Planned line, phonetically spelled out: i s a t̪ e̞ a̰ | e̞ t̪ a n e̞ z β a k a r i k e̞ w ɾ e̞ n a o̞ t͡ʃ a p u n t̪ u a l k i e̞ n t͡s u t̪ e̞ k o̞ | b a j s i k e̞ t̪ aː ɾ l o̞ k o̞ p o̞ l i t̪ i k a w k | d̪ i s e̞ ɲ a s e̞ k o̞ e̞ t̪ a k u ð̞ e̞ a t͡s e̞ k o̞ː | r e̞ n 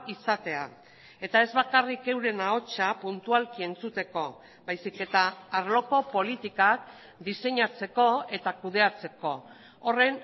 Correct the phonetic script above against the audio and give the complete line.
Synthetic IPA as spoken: i s a t̪ e̞ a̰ | e̞ t̪ a e̞ z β a k a r i k e̞ w ɾ e̞ n a o̞ t͡ʃ a p u n t̪ u a l k i e̞ n t͡s u t̪ e̞ k o̞ | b a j s i k e̞ t̪ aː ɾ l o̞ k o̞ p o̞ l i t̪ i k a k | d̪ i s e̞ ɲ a t͡s e̞ k o̞ e̞ t̪ a k u ð̞ e̞ a t͡s e̞ k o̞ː | r e̞ n